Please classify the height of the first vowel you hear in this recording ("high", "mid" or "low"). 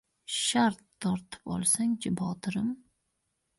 low